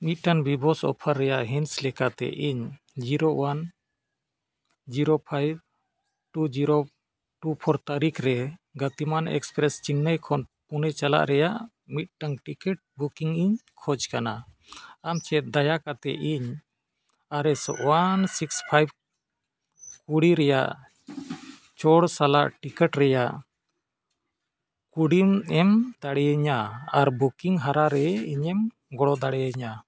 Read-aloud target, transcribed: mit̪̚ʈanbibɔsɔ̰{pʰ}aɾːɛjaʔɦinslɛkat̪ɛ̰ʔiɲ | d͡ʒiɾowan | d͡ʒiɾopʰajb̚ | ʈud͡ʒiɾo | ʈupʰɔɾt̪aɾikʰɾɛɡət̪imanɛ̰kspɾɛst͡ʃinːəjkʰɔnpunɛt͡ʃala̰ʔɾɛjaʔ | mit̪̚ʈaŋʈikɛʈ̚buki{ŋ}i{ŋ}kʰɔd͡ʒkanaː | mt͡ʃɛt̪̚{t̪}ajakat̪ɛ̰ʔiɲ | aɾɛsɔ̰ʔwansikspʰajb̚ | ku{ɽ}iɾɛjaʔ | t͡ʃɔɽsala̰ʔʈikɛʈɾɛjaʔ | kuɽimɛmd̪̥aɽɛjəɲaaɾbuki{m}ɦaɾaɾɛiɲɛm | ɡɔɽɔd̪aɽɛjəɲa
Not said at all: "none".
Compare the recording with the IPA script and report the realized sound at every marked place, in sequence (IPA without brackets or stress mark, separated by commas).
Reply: pʰ, ŋ, ɲ, d̪, ɽ, ŋ